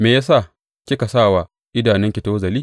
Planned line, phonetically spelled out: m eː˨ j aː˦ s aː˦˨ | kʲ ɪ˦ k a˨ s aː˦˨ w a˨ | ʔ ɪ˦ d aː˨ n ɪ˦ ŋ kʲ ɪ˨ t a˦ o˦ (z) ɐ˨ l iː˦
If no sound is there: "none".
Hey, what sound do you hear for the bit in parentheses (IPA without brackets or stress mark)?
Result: z